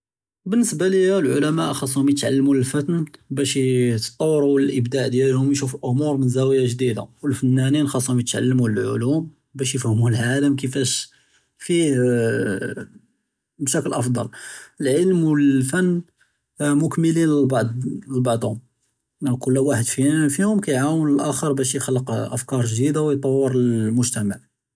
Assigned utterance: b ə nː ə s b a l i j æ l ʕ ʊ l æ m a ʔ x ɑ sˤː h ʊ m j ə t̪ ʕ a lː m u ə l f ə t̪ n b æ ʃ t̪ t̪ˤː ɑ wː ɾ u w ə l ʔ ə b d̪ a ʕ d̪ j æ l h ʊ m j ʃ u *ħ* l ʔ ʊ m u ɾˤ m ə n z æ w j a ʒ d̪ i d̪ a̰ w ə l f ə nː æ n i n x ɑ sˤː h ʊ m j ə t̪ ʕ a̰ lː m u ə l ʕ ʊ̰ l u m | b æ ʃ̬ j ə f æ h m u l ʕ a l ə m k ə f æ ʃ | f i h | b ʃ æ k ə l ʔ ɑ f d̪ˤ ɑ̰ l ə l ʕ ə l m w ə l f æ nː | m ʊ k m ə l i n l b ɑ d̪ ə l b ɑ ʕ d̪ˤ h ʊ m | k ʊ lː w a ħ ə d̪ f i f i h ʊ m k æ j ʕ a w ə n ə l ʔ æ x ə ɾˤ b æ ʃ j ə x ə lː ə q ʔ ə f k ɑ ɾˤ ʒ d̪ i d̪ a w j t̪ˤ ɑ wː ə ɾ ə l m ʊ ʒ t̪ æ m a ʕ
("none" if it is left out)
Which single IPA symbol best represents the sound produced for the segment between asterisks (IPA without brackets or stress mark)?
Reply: f